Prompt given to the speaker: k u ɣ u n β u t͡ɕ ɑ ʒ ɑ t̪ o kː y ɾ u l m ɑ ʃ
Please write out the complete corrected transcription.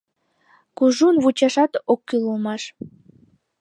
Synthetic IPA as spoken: k u ʒ u n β u t͡ɕ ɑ ʃ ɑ t̪ o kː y l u l m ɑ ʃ